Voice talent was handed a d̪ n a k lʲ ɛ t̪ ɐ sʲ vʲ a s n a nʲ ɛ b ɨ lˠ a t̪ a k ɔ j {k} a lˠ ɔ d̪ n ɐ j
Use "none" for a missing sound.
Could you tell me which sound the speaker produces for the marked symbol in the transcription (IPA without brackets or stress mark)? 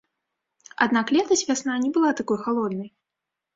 x